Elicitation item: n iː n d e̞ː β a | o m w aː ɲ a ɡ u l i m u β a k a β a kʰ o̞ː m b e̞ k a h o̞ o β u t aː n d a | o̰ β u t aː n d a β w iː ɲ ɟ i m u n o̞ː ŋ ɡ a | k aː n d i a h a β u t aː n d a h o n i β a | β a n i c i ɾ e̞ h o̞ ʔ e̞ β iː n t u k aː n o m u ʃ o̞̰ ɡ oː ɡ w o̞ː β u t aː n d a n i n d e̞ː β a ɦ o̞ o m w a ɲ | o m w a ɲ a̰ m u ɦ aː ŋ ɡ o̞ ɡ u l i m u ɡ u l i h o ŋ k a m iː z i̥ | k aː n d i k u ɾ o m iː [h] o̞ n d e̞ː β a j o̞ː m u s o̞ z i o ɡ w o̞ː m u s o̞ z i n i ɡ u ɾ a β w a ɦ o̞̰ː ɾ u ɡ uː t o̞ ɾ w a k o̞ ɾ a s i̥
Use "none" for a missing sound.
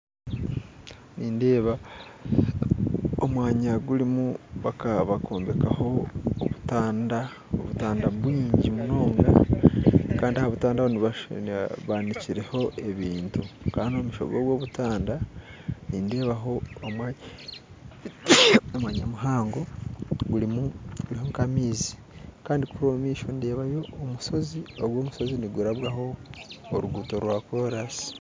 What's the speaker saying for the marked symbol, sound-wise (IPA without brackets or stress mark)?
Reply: ʃ